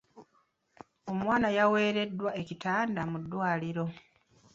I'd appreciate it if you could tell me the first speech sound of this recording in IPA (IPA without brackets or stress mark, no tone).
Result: o̞